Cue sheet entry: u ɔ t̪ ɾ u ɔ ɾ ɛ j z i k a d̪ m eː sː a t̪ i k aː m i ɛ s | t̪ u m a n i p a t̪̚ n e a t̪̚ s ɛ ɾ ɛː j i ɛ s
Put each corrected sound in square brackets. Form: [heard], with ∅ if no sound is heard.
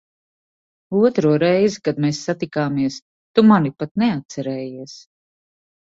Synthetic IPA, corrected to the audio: u ɔ t̪ ɾ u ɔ ɾ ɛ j z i k a d̪ m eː sː a t̪ i k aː m i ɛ s | t̪ u m a n i p a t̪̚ n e a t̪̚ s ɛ ɾ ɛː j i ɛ s